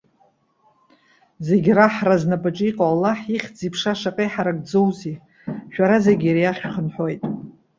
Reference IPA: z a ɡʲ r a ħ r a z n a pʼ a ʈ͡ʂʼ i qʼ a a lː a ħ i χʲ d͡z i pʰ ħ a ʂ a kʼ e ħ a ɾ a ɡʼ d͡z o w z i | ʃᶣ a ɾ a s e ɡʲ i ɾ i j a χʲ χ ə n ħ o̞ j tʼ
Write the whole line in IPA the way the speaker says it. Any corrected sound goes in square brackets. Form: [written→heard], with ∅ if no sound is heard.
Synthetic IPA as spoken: z [a→e] ɡʲ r a ħ r a z n a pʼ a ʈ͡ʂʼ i qʼ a a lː a ħ i χʲ d͡z i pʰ [ħ→ʂ] a ʂ a [kʼ→qʼ] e ħ a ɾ a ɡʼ d͡z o w z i | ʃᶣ a ɾ a [s→z] e ɡʲ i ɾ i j a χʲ χ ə n ħ o̞ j tʼ